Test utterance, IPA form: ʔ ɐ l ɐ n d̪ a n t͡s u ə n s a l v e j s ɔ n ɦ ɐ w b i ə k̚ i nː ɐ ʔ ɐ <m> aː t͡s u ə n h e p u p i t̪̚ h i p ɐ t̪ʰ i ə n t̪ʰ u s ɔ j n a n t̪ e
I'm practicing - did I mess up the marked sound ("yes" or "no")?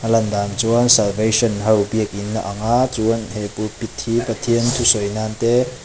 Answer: yes